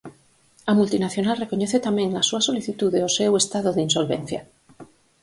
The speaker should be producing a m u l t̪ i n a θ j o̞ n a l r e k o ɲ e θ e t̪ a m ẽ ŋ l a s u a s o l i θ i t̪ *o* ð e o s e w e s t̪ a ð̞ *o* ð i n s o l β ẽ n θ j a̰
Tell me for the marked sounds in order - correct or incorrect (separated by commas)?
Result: incorrect, correct